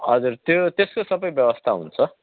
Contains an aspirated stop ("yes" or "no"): yes